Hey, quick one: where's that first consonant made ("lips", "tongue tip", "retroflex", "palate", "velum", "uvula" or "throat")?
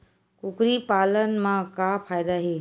velum